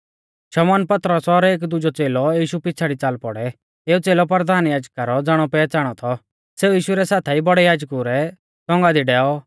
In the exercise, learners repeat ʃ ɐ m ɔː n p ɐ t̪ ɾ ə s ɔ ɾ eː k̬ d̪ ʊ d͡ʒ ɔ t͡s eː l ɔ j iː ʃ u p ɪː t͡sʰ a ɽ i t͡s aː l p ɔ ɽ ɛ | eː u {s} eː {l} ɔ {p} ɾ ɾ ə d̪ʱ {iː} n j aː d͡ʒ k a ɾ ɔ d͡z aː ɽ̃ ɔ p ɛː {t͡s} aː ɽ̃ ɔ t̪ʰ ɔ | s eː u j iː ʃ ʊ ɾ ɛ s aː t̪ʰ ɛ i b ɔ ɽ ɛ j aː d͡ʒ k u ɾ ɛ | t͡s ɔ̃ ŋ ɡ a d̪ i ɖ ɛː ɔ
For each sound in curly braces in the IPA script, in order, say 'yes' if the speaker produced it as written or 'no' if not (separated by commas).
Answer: no, yes, yes, no, yes